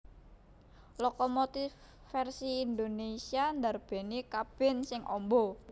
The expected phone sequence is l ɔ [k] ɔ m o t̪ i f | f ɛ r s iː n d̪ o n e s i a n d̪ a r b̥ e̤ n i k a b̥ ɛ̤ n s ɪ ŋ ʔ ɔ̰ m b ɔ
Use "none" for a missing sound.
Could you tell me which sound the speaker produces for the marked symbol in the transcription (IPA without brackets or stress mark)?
k